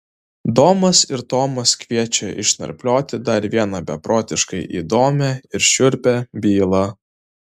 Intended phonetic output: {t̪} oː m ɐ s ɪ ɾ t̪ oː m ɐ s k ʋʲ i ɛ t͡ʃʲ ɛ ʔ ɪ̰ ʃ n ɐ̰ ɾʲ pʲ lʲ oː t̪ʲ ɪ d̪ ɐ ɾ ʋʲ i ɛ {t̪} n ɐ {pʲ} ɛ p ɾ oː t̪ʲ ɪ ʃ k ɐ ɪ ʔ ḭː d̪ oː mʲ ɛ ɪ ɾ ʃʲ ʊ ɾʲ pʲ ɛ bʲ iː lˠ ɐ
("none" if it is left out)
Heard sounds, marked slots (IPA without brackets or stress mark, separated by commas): d̪, none, bʲ